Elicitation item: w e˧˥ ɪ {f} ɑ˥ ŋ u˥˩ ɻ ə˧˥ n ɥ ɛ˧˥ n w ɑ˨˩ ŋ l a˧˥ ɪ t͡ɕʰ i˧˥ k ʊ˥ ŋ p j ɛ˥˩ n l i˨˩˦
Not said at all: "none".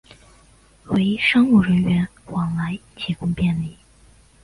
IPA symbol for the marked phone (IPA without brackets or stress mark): ʂ